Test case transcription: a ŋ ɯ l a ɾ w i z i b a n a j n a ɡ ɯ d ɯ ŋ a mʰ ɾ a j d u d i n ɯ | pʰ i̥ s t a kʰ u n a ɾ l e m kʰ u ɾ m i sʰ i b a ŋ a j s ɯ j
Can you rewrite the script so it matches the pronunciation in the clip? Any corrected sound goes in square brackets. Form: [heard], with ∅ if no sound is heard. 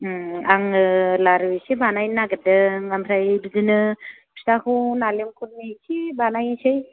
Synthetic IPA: a ŋ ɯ l a ɾ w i [s] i b a n a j n a ɡ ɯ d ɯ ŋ a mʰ ɾ a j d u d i n ɯ | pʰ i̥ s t a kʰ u n a [∅] l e m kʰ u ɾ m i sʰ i b a [n] a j s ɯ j